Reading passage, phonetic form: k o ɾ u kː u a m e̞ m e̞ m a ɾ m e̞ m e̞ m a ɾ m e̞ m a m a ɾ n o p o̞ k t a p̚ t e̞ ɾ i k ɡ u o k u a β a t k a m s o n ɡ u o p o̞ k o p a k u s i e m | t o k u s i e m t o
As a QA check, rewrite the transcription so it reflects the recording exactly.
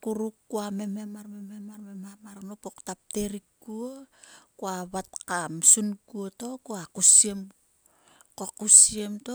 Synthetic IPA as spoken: k u ɾ u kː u a m e̞ m e̞ m a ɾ m e̞ m e̞ m a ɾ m e̞ m a m a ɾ n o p o̞ k t a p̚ t e̞ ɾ i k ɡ u o k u a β a t k a m s u n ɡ u o t o̞ k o a k u s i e m | k o k u s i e m t o

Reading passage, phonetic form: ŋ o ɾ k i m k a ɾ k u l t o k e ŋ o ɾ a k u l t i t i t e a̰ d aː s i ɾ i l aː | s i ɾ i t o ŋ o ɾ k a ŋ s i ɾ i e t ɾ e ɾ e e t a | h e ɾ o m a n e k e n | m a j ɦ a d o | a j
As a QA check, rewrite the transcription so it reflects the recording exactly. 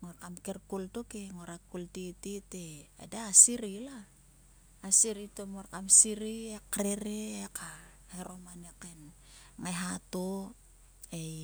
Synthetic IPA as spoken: ŋ o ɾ k a m k e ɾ k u l t o k e ŋ o ɾ a k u l t i t i t e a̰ d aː s i ɾ i l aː | s i ɾ i t o m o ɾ k a m s i ɾ i e k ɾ e ɾ e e k a | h e ɾ o m a n e k e n | ŋ a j ɦ a t o | e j

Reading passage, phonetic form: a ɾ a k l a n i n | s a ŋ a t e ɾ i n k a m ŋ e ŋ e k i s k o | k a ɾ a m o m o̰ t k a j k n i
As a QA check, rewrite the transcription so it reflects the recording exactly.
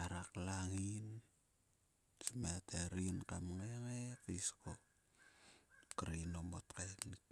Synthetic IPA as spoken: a ɾ a k l a ŋ i n | s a m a t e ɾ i n k a m ŋ e ŋ e k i s k o | k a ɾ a n o m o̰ t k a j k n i

